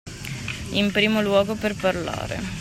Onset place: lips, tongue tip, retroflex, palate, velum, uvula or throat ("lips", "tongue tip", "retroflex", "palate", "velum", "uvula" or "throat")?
lips